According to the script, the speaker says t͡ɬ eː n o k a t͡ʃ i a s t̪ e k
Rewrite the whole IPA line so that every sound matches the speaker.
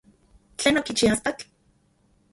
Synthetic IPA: t͡ɬ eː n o k i t͡ʃ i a s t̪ a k